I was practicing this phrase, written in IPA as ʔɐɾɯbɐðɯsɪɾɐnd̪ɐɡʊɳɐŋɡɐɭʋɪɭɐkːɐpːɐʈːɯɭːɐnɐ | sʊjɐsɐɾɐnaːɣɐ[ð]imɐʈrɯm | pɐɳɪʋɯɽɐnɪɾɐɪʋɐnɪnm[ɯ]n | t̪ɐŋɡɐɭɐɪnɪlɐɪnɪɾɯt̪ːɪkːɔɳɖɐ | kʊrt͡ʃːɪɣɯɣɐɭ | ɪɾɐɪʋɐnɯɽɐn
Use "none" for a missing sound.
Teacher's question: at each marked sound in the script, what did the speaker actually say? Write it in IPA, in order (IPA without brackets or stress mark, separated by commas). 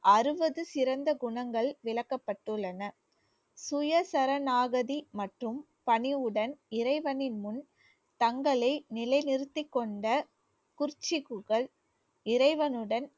ð, ʊ